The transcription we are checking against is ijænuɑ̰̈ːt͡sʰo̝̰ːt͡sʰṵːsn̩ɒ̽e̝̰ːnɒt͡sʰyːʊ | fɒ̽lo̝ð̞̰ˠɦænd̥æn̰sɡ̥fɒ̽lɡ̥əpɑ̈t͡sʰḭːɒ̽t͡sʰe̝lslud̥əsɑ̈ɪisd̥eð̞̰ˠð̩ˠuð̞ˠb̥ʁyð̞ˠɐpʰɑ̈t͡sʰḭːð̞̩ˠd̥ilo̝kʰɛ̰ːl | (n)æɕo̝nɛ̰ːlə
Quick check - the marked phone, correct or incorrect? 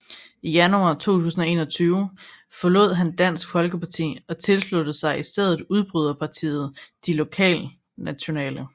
correct